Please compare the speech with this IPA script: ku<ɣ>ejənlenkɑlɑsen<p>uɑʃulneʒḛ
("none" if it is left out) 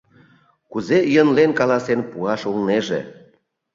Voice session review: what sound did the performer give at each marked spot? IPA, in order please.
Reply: z, p

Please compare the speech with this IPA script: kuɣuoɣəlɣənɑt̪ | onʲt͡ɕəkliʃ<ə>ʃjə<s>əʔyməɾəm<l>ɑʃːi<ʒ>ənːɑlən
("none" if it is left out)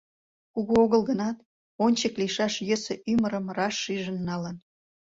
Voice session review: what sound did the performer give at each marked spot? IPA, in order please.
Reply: ɑ, s, r, ʒ

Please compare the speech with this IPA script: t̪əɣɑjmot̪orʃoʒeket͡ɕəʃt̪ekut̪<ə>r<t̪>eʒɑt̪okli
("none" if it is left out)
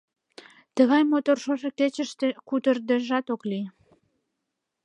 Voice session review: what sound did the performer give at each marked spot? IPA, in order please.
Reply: ə, d̪

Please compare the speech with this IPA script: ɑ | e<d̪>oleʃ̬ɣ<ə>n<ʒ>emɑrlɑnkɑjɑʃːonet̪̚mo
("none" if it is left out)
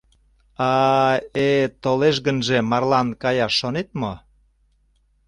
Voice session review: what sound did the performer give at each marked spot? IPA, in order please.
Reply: t̪, ə, ʒ

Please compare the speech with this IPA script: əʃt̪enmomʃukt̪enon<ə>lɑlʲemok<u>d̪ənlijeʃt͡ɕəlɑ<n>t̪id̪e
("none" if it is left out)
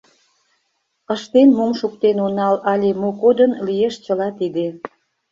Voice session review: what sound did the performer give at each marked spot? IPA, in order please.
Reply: ɑ, o, none

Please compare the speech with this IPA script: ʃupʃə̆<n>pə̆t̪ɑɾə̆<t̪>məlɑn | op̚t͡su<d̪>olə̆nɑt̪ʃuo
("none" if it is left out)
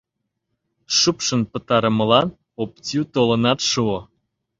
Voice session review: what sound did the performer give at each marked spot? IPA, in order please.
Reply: n, none, t̪

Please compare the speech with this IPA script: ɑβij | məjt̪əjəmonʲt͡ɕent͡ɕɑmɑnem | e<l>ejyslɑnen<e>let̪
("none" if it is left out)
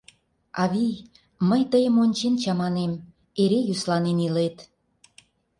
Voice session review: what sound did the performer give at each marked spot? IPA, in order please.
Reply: ɾ, i

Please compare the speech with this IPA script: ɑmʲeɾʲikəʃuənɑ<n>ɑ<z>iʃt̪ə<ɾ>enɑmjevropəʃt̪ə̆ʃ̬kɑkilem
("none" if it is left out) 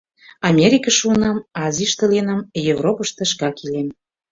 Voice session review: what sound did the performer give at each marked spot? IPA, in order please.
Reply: m, z, l

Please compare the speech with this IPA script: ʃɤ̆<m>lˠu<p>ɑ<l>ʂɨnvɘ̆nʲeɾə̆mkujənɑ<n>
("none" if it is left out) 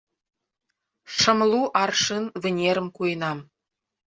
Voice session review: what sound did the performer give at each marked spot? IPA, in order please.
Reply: m, ʔ, r, m

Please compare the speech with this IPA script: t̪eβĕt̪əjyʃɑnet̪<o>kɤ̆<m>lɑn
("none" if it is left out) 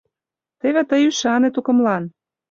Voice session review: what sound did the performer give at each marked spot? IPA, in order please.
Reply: u, m

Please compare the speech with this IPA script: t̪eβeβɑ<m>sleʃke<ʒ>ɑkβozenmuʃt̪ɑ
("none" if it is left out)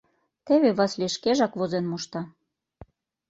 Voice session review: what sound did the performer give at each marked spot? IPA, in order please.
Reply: none, ʒ

